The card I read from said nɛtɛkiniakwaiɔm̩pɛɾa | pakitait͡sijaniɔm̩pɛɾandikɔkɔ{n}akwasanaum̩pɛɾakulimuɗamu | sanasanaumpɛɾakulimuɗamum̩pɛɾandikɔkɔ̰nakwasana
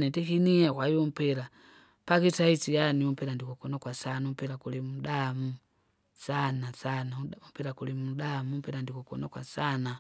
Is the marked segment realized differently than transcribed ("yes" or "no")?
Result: no